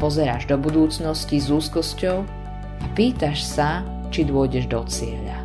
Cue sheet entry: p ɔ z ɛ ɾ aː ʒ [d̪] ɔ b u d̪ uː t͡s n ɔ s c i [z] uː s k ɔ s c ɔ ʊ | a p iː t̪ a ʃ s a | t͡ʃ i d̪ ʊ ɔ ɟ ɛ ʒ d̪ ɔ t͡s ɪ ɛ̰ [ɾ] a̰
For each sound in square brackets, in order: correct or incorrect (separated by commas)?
correct, correct, incorrect